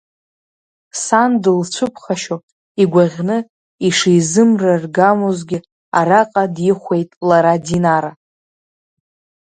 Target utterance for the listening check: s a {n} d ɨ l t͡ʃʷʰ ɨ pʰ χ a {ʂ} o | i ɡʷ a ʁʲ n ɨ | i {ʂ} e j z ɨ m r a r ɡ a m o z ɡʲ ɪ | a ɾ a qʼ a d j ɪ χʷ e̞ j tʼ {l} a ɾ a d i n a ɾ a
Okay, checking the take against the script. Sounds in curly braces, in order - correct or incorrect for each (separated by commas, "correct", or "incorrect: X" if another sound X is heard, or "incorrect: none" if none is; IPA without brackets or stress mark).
correct, incorrect: ʃ, correct, correct